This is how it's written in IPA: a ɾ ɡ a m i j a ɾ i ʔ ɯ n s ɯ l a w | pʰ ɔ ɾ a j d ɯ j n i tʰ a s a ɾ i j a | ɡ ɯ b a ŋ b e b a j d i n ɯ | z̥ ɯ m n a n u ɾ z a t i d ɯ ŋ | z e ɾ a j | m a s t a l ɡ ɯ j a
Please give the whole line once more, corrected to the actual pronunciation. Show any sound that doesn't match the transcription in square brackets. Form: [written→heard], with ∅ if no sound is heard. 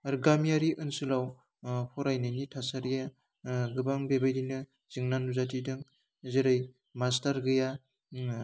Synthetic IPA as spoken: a ɾ ɡ a m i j a ɾ i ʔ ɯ n s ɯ l a w | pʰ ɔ ɾ a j [d→n] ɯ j n i tʰ a s a ɾ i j a | ɡ ɯ b a ŋ b e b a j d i n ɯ | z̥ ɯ [m→ŋ] n a n u [ɾ→∅] z a t i d ɯ ŋ | z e ɾ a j | m a s t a [l→ɾ] ɡ ɯ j a

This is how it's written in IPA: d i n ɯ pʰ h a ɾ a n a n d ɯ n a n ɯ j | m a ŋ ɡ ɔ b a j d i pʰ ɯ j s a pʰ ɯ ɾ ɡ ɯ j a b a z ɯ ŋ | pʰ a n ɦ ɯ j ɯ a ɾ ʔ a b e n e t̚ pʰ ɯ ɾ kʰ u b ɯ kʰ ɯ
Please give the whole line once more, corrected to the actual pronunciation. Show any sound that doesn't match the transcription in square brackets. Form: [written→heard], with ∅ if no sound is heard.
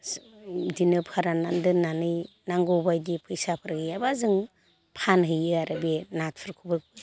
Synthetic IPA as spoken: d i n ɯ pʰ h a ɾ a n a n d ɯ n a n ɯ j | [m→n] a ŋ ɡ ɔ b a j d i pʰ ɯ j s a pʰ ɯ ɾ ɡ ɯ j a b a z ɯ ŋ | pʰ a n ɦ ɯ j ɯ a ɾ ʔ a b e n [e→a] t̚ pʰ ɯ ɾ kʰ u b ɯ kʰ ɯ

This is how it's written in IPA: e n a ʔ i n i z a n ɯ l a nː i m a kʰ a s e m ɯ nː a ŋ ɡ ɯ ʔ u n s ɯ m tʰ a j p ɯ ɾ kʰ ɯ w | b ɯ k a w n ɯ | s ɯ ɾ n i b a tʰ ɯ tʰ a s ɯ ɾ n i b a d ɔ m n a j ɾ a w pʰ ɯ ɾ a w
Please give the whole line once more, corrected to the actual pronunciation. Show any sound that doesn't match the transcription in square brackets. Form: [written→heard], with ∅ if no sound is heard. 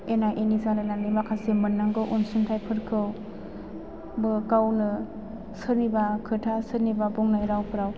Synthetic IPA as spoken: e n a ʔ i n i z a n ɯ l a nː i m a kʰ a s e m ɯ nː a ŋ ɡ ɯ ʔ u n s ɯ [m→n] tʰ a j [p→pʰ] ɯ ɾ kʰ ɯ w | b ɯ k a w n ɯ | s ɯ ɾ n i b a [tʰ→kʰ] ɯ tʰ a s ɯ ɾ n i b a [d→b] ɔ [m→ŋ] n a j ɾ a w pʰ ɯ ɾ a w

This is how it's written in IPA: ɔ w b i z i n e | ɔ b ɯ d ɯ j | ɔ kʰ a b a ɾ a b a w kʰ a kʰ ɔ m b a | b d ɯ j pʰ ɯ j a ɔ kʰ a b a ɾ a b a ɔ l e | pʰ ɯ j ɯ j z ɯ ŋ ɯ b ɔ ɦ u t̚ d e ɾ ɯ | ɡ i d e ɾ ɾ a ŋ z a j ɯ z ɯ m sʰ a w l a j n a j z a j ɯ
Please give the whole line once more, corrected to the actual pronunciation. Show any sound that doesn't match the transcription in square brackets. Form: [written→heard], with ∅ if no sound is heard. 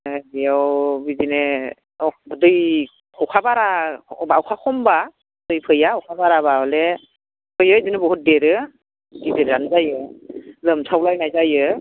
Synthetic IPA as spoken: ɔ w b i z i n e | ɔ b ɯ d ɯ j | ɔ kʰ a b a ɾ a b a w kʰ a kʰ ɔ m b a | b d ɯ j pʰ ɯ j a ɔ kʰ a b a ɾ a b a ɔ l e | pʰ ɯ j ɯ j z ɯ [ŋ→n] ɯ b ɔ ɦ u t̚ d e ɾ ɯ | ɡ i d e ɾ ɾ a [ŋ→n] z a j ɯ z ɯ m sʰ a w l a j n a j z a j ɯ

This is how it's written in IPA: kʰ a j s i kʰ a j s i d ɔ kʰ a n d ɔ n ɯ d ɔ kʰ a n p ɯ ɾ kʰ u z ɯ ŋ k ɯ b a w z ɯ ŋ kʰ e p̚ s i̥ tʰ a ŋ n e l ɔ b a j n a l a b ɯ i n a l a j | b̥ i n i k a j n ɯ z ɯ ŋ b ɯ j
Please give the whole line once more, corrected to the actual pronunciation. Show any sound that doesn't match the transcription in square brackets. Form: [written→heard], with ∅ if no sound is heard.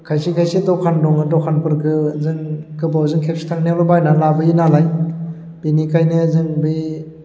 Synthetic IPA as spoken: kʰ a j s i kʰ a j s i d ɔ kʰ a n d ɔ [n→ŋ] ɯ d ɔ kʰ a n p ɯ ɾ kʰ [u→ɯ] z ɯ ŋ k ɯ b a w z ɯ ŋ kʰ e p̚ s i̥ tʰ a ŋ n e l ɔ b a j n a l a b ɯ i n a l a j | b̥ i n i k a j n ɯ z ɯ ŋ b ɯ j

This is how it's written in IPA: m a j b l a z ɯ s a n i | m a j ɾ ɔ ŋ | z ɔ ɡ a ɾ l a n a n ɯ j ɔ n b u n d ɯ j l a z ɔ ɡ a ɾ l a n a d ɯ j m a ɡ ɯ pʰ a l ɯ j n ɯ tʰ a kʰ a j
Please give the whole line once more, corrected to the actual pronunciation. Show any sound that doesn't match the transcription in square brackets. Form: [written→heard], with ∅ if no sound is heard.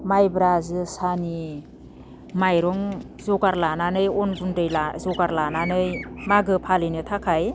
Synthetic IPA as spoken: m a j b [l→ɾ] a z ɯ s a n i | m a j ɾ ɔ ŋ | z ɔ ɡ a ɾ l a n a n ɯ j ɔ n b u n d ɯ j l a z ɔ ɡ a ɾ l a n a [d→n] ɯ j m a ɡ ɯ pʰ a l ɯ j n ɯ tʰ a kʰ a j

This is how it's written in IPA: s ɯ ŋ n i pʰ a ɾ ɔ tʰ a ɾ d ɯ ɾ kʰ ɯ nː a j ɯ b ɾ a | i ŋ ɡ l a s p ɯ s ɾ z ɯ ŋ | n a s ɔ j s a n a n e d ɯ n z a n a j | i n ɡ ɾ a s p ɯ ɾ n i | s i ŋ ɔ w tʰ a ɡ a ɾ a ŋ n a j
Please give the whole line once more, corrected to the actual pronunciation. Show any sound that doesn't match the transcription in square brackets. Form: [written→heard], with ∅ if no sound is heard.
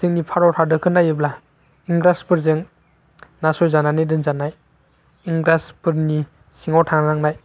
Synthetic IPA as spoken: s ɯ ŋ n i pʰ a ɾ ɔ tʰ a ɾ d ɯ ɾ kʰ ɯ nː a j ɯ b [ɾ→l] a | i ŋ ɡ [l→ɾ] a s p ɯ [s→∅] ɾ z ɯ ŋ | n a s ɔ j [s→z] a n a n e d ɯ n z a n a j | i [n→ŋ] ɡ ɾ a s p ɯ ɾ n i | s i ŋ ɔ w tʰ a [ɡ→ŋ] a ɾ a ŋ n a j

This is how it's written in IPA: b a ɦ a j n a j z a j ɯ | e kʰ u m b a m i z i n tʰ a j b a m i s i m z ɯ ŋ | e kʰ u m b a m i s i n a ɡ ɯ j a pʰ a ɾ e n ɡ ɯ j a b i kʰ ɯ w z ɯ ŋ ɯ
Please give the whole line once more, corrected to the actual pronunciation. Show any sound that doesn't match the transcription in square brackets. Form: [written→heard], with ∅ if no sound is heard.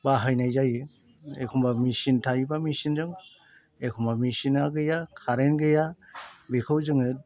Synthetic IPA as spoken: b a ɦ a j n a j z a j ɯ | e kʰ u m b a m i [z→s] i n tʰ a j b a m i s i [m→n] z ɯ ŋ | e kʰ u m b a m i s i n a ɡ ɯ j a [pʰ→kʰ] a ɾ e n ɡ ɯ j a b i kʰ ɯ w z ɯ ŋ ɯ

